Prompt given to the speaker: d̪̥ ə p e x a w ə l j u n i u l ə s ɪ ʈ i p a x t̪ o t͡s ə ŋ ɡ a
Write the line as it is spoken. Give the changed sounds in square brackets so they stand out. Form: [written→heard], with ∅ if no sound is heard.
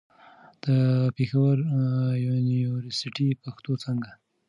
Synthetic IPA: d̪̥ ə p e x a w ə [l→ɾ] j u n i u [l→ɾ] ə s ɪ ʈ i p a x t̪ o t͡s ə ŋ ɡ a